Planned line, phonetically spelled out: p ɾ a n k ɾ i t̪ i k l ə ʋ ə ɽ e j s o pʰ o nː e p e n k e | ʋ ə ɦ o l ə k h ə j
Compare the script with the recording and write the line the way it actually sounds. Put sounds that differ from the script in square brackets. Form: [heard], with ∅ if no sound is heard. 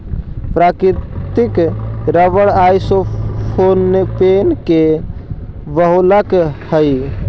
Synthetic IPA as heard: p ɾ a [∅] k ɾ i t̪ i k [ɾ] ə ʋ ə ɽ [a] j s o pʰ o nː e p e n k e | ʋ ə ɦ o l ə k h ə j